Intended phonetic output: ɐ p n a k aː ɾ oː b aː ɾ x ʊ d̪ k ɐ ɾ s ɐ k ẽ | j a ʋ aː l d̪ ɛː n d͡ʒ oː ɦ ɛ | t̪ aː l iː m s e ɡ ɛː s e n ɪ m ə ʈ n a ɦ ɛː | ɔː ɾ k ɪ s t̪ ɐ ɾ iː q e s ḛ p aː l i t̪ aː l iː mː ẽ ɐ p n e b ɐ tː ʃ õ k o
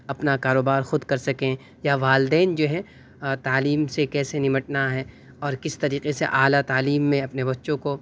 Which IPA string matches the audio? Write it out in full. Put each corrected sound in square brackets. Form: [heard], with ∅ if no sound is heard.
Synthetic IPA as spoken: ɐ p n a k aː ɾ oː b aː ɾ x ʊ d̪ k ɐ ɾ s ɐ k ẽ | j a ʋ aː l d̪ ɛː n d͡ʒ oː ɦ ɛ | t̪ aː l iː m s e [k] ɛː s e n ɪ m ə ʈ n a ɦ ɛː | ɔː ɾ k ɪ s t̪ ɐ ɾ iː q e s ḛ [ʔ] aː l [a] t̪ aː l iː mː ẽ ɐ p n e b ɐ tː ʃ õ k o